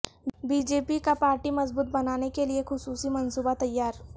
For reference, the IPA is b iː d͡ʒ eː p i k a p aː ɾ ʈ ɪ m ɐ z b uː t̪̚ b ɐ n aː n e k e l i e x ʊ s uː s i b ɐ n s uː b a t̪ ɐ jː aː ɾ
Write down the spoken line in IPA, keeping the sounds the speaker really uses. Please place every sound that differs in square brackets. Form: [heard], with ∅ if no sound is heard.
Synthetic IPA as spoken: b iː d͡ʒ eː p i k a p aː ɾ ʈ [i] m ɐ z b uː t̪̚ b ɐ n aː n e k e l i e x ʊ s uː s i [m] ɐ n s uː b a t̪ ɐ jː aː ɾ

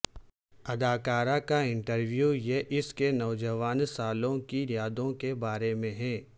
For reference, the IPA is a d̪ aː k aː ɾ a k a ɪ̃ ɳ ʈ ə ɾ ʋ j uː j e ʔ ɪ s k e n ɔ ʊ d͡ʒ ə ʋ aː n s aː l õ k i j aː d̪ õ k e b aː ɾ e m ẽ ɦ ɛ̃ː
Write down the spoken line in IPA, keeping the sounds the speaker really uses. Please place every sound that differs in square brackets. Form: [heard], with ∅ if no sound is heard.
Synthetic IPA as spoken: [ɐ] d̪ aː k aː ɾ a k a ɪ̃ ɳ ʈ ə ɾ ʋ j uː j e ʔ ɪ s k e n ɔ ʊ d͡ʒ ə ʋ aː n s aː l õ k i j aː d̪ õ k e b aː ɾ e m ẽ ɦ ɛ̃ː

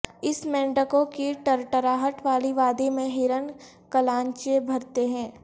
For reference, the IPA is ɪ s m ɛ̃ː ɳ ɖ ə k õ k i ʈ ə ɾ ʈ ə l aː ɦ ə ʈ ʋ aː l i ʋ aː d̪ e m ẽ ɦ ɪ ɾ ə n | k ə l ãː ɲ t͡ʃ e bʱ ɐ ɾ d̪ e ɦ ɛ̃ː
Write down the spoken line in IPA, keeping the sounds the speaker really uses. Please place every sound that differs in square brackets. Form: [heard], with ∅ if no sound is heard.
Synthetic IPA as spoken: ɪ s m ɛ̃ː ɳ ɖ ə k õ k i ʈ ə ɾ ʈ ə [ɾ] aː ɦ ə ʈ ʋ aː l i ʋ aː d̪ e m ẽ ɦ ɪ ɾ ə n | k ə l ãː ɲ t͡ʃ e bʱ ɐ ɾ [t̪] e ɦ ɛ̃ː

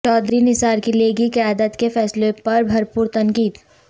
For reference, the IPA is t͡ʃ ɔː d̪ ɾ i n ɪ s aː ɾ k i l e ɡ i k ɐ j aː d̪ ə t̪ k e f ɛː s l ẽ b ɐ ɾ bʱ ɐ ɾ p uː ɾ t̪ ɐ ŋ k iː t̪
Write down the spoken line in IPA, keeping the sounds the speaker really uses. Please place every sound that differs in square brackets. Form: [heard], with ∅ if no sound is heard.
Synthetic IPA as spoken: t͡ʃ ɔː d̪ ɾ i n ɪ s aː ɾ k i l e ɡ i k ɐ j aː d̪ ə t̪ k e f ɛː s l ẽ [p] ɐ ɾ bʱ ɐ ɾ p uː ɾ t̪ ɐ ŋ k iː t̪

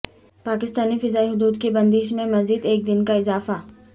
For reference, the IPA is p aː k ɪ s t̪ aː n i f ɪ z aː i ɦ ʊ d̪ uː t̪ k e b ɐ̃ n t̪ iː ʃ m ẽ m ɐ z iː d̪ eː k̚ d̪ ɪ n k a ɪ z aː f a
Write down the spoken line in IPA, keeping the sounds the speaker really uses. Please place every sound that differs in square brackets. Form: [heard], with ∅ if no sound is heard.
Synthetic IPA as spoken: p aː k ɪ s t̪ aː n i f ɪ z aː i ɦ ʊ d̪ uː [d̪] k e b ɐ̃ n [d̪] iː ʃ m ẽ m ɐ z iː d̪ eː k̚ d̪ ɪ n k a ɪ z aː f a

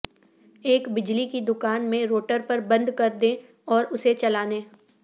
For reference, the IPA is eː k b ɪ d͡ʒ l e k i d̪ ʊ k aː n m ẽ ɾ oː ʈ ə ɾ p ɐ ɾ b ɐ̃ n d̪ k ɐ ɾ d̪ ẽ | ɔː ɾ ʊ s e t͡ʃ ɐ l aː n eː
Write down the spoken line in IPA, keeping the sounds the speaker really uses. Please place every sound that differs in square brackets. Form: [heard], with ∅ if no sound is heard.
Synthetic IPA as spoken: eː k b ɪ d͡ʒ l [i] k i d̪ ʊ k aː n m ẽ ɾ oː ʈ ə ɾ p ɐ ɾ b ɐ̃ n d̪ k ɐ ɾ d̪ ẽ | ɔː ɾ ʊ s e t͡ʃ ɐ l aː n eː

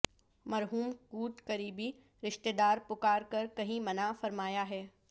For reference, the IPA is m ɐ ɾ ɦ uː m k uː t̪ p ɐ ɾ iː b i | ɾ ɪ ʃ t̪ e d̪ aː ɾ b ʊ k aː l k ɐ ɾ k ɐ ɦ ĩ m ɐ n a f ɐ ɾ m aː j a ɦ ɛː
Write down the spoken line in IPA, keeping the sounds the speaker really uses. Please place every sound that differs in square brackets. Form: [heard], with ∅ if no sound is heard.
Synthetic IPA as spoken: m ɐ ɾ ɦ uː m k uː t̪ [k] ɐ ɾ iː b i | ɾ ɪ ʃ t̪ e d̪ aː ɾ [p] ʊ k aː [ɾ] k ɐ ɾ k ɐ ɦ ĩ m ɐ n a f ɐ ɾ m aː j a ɦ ɛː

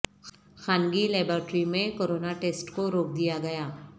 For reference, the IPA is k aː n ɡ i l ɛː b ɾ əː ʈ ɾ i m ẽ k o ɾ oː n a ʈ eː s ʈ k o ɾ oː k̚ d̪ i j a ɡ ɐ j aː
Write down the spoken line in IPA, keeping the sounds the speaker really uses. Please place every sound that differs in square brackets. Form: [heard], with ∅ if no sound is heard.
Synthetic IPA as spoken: [x] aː n ɡ i l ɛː b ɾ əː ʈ ɾ i m ẽ k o ɾ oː n a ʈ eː s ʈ k o ɾ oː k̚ d̪ i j a ɡ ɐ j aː

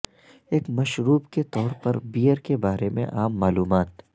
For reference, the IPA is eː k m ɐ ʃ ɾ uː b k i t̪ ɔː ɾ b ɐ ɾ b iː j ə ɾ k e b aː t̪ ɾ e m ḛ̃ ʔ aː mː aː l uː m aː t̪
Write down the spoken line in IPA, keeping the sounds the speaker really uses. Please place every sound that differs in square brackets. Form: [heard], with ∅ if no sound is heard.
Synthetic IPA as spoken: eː k m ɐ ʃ ɾ uː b k [e] t̪ ɔː ɾ [p] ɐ ɾ b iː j ə ɾ k e b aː [∅] ɾ e m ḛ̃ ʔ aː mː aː l uː m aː t̪

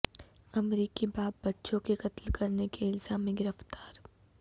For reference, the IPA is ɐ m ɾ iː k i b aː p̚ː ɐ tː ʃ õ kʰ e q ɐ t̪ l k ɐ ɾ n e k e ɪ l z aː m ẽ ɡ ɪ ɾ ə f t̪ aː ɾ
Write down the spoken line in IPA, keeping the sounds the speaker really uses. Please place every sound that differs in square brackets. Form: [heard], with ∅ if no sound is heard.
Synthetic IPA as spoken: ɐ m ɾ iː k i b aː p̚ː ɐ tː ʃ õ [k] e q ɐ t̪ l k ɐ ɾ n e k e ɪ l z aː m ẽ ɡ ɪ ɾ ə f t̪ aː ɾ

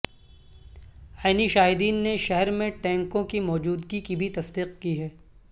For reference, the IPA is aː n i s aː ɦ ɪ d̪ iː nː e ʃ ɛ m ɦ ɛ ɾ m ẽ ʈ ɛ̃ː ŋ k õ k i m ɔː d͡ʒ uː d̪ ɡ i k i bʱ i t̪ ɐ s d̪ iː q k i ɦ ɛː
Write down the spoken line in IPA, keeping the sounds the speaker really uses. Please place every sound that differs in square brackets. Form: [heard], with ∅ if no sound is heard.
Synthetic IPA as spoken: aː n i [ʃ] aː ɦ ɪ d̪ iː nː e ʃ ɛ [∅] ɦ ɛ ɾ m ẽ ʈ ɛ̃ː ŋ k õ k i m ɔː d͡ʒ uː d̪ ɡ i k i bʱ i t̪ ɐ s d̪ iː q k i ɦ ɛː

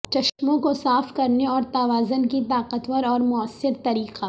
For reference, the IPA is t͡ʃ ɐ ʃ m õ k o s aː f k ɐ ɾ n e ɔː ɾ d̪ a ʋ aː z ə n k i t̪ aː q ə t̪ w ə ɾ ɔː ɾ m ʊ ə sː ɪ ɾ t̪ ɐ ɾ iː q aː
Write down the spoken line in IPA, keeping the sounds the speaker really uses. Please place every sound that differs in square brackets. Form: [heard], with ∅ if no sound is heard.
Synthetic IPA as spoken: t͡ʃ ɐ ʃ m õ k o s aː f k ɐ ɾ n e ɔː ɾ [t̪] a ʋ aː z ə n k i t̪ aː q ə t̪ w ə ɾ ɔː ɾ m ʊ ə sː ɪ ɾ t̪ ɐ ɾ iː q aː

